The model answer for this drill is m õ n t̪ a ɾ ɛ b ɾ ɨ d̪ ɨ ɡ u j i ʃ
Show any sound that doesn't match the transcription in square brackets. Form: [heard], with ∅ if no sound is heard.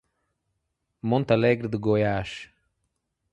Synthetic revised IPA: m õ n t̪ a [l] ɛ [ɡ] ɾ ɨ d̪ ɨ ɡ [o] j [a] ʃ

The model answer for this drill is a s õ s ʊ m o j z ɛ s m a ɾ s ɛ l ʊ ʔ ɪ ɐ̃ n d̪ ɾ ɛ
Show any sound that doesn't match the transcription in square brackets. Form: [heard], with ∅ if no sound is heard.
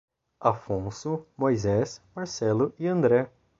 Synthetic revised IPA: a [f] õ s ʊ m o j z ɛ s m a ɾ s ɛ l ʊ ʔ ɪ ɐ̃ n d̪ ɾ ɛ

